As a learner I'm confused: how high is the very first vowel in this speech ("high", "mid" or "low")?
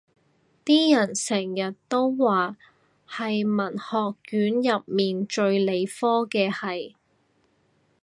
high